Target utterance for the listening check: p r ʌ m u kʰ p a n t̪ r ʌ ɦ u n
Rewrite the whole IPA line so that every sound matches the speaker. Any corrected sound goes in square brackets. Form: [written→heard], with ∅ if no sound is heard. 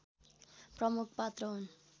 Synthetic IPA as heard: p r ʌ m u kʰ p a [n→∅] t̪ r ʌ ɦ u n